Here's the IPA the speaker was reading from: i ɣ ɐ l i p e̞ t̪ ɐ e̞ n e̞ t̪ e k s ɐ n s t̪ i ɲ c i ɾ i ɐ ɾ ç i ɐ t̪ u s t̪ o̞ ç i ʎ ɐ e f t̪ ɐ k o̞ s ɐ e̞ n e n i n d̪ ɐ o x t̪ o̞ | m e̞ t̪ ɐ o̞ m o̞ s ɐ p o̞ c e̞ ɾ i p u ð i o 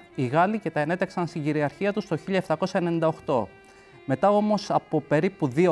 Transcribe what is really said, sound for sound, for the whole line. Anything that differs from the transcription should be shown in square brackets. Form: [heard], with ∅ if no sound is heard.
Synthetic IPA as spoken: i ɣ ɐ l i [c] e̞ t̪ ɐ e̞ n e̞ t̪ e k s ɐ n s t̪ i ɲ [ɟ] i ɾ i ɐ ɾ ç i ɐ t̪ u s t̪ o̞ ç i ʎ ɐ e f t̪ ɐ k o̞ s ɐ e̞ n e n i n d̪ ɐ o x t̪ o̞ | m e̞ t̪ ɐ o̞ m o̞ s ɐ p o̞ [p] e̞ ɾ i p u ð i o